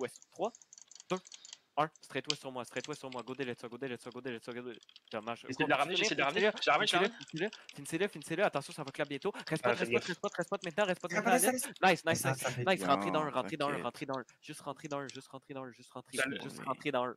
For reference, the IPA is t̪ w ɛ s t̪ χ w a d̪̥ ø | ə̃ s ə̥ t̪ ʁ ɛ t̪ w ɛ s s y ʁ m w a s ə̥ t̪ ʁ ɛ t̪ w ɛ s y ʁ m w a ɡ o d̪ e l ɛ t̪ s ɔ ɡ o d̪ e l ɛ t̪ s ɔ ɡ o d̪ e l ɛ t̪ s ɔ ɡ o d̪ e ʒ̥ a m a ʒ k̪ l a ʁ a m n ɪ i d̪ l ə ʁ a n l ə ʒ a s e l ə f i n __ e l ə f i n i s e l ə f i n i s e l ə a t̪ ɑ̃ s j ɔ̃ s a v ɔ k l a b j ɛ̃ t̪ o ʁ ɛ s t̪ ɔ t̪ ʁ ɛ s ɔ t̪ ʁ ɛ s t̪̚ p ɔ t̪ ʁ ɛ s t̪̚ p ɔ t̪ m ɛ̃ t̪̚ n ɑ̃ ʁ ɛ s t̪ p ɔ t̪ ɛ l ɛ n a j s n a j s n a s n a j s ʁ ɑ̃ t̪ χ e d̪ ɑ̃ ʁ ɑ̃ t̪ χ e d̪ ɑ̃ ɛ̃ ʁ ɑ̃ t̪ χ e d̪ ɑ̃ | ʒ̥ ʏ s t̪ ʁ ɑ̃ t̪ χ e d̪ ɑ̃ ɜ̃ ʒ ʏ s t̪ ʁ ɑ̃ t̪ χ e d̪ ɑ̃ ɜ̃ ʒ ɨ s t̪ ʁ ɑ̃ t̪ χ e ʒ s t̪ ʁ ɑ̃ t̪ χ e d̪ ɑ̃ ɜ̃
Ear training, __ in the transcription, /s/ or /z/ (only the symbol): s